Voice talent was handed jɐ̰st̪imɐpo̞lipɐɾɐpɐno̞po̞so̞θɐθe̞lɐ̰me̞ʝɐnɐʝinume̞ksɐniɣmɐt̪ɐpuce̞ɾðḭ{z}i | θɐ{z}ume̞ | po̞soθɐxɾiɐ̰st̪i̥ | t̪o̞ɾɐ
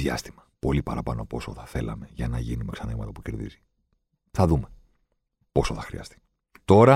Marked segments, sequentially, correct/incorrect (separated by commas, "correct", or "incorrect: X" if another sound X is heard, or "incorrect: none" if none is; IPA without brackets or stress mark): correct, incorrect: ð